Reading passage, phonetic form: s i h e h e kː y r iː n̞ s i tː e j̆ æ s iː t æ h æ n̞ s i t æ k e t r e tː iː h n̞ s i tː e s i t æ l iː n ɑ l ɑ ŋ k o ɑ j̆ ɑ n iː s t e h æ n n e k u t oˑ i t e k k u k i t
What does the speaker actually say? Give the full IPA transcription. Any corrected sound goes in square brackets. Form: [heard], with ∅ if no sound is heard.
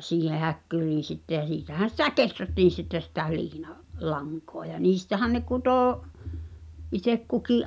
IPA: s [iː] h e h [æ] kː y r iː n̞ s i tː e j̆ æ s iː t æ h æ n̞ s i t æ k e t r [æ] tː iː [∅] n̞ s i tː e s i t æ l iː n ɑ l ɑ ŋ k o ɑ j̆ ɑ n iː s t [æ] h æ n n e k u t oˑ i t e k k u k i [ʔ]